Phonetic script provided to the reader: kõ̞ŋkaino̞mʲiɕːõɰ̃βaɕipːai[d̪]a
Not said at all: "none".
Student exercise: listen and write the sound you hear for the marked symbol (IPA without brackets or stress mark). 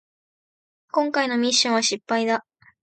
d̪